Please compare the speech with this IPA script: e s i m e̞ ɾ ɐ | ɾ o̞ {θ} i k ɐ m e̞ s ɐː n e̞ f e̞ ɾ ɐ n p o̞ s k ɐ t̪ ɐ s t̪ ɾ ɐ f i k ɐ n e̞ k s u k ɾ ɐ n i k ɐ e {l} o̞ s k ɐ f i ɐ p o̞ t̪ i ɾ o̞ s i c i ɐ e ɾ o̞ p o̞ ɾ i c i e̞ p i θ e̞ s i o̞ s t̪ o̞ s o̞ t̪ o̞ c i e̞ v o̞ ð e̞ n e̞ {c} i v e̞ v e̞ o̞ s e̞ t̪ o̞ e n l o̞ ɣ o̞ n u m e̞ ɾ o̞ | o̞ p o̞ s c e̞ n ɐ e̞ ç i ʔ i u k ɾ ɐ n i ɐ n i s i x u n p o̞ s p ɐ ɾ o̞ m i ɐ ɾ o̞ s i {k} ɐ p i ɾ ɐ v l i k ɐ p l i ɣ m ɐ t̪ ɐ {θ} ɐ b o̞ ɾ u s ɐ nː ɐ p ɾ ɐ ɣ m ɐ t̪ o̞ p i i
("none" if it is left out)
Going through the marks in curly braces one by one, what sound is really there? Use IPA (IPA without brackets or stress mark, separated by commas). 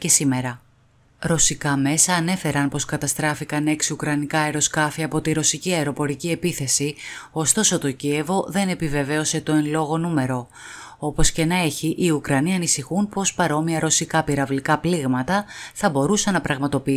s, ɾ, p, k, θ